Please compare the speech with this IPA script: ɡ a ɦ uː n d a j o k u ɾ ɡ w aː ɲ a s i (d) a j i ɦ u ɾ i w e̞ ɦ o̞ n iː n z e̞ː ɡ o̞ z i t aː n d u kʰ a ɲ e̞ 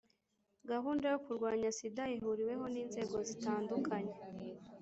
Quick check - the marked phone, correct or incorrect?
correct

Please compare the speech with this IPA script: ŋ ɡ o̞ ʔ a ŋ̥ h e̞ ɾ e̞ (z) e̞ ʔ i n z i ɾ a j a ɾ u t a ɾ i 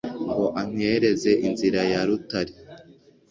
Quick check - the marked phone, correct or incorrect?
correct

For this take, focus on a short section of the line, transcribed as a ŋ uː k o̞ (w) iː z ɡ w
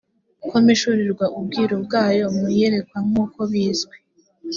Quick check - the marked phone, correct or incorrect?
incorrect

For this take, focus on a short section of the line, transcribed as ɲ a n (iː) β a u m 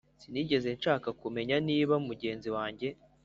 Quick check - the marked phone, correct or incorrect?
correct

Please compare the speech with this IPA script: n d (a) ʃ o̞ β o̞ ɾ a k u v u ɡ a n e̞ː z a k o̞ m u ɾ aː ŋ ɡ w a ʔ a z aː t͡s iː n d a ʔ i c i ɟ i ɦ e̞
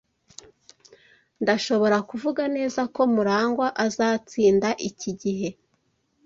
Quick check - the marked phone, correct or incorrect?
correct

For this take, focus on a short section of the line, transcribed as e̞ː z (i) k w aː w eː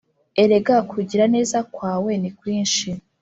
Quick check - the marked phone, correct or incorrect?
incorrect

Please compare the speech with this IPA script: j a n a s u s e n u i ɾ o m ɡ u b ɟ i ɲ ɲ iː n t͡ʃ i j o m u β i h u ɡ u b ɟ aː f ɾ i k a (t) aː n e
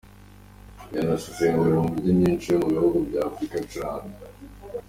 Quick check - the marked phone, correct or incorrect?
incorrect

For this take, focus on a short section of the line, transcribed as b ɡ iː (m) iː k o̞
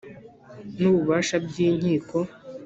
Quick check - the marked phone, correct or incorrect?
incorrect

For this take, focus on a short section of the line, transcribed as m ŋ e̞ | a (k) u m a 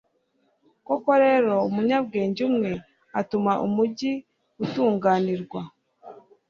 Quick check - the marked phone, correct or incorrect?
incorrect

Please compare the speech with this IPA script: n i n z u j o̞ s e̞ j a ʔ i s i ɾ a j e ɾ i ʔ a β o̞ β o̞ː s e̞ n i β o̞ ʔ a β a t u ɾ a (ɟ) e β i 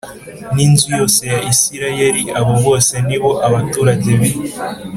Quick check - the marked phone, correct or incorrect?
correct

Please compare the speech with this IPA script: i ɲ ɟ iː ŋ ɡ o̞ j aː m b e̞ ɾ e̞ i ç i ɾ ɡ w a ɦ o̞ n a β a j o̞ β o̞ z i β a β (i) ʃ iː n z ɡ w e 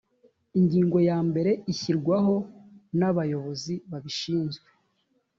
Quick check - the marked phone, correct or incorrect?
correct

